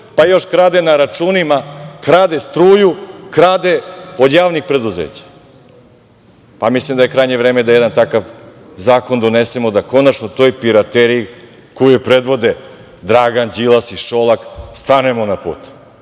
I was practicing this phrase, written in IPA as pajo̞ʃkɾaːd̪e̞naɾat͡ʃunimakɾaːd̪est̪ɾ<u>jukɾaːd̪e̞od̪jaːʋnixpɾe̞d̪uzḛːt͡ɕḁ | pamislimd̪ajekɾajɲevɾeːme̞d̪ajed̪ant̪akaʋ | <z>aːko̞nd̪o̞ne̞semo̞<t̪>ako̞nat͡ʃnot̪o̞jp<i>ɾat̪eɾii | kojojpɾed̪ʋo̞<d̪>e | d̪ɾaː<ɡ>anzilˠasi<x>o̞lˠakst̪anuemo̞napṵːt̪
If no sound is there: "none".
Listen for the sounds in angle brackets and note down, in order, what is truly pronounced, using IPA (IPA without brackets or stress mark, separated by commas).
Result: uː, z, d̪, i, d̪, ɡ, ʃ